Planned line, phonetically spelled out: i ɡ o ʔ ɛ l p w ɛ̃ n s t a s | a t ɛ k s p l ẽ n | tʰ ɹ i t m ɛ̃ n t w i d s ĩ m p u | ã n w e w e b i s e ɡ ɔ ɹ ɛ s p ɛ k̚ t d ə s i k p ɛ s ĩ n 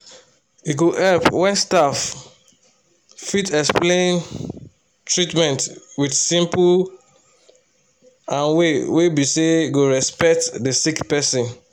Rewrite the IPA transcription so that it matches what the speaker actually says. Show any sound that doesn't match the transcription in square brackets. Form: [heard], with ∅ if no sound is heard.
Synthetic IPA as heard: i ɡ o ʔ ɛ l p w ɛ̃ n s t a [f] | [i] t ɛ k s p l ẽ n | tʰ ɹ i t m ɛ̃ n t w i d s ĩ m p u | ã n w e w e b i s e ɡ [o] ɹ ɛ s p ɛ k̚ t d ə s i k p ɛ s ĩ n